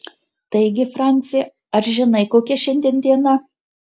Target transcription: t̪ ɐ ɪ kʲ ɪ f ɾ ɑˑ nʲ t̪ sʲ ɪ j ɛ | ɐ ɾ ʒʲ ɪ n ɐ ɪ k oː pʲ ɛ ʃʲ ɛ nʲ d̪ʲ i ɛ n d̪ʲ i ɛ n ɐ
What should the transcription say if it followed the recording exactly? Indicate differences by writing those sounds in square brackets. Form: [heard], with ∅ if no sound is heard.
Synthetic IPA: t̪ ɐ ɪ [ɡʲ] ɪ f ɾ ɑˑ nʲ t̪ sʲ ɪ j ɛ | ɐ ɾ ʒʲ ɪ n ɐ ɪ k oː [kʲ] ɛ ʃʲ ɛ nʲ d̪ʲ i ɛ n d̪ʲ i ɛ n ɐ